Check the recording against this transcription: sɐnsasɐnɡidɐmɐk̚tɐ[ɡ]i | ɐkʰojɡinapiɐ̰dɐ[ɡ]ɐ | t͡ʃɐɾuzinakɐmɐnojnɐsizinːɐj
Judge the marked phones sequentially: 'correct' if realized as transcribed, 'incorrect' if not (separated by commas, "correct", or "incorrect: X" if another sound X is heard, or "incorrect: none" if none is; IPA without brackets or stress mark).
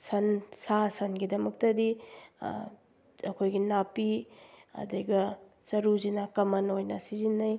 incorrect: d, correct